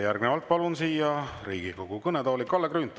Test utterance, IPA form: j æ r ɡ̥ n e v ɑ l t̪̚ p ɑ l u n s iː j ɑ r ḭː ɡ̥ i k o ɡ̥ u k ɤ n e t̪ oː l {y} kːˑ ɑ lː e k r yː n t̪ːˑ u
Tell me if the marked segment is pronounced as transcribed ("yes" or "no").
no